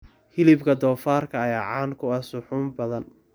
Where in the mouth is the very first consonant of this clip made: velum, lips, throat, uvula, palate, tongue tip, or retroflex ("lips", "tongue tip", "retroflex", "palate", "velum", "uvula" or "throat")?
throat